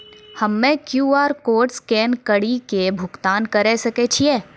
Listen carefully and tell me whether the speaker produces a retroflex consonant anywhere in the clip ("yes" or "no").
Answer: yes